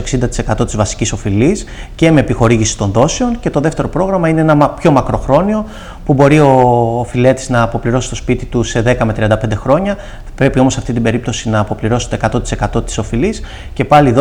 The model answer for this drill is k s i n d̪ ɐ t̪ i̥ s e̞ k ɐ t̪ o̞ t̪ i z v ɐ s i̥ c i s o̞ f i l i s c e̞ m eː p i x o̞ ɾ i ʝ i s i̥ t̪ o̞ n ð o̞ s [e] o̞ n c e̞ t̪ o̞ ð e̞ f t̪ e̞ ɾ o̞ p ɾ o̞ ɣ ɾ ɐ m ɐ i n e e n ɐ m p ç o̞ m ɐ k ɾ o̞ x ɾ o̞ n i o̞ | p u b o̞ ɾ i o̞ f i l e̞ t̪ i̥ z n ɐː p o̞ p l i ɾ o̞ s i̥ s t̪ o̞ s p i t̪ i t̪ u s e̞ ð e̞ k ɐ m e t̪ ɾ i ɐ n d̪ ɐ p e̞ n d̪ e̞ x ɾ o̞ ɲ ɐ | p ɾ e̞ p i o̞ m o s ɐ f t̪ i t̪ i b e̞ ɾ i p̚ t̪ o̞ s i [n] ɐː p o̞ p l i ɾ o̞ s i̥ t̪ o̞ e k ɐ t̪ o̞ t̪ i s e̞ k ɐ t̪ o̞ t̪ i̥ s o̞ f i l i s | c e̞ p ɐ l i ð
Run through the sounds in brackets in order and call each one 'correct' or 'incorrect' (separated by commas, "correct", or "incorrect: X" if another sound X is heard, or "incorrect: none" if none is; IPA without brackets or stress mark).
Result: correct, correct